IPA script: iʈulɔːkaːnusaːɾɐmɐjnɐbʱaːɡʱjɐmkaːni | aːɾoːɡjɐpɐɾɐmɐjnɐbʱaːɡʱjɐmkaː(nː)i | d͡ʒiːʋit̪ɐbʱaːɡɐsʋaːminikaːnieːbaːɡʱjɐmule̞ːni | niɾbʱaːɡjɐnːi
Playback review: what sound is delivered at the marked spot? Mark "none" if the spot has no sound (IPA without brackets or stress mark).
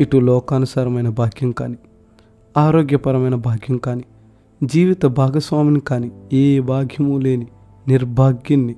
n